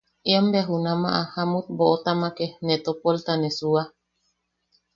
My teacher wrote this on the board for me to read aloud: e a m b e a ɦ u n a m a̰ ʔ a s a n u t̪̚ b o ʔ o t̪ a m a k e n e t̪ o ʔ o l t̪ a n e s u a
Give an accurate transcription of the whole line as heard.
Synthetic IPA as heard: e a m b e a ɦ u n a m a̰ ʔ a h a m u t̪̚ b o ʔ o t̪ a m a k e n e t̪ o p o l t̪ a n e s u a